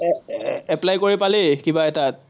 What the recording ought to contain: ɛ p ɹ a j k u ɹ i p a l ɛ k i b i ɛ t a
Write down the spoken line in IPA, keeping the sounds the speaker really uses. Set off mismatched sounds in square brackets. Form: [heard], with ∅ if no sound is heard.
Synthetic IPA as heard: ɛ p [l] a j k [o] ɹ i p a l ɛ k i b [a] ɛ t a